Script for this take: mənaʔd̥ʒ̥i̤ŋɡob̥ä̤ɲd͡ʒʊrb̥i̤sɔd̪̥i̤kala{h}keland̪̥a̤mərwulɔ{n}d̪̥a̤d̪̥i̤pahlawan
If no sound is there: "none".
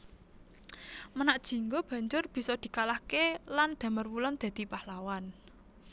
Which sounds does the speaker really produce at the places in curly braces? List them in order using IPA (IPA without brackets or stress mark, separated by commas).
h, n